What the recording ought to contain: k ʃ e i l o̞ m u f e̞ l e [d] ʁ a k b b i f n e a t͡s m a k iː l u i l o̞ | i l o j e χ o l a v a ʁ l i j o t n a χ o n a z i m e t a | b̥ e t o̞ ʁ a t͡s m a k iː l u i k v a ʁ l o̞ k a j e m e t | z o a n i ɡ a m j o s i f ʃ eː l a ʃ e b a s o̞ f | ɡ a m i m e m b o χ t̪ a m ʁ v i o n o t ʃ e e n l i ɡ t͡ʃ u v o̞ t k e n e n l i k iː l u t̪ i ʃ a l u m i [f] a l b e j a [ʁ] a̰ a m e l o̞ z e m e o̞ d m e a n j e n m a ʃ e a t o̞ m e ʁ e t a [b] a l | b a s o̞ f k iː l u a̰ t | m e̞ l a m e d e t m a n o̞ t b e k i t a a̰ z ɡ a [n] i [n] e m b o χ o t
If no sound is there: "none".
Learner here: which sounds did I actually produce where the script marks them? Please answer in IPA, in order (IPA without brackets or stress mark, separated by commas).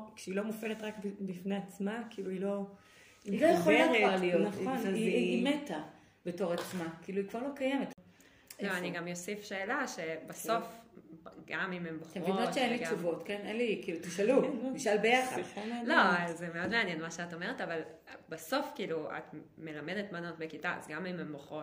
t, ʃ, χ, v, m, m